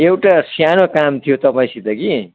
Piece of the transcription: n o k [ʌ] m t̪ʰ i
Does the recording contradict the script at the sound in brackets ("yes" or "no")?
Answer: yes